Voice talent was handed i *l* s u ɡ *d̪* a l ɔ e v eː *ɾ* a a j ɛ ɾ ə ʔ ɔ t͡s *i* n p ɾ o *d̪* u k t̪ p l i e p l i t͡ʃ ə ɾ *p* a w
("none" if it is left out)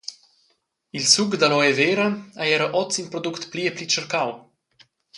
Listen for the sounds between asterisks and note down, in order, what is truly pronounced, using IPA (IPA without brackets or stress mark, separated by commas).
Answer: l, d̪, ɾ, i, d̪, k